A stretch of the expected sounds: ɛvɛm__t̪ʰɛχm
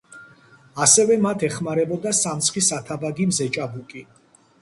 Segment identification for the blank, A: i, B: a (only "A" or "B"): B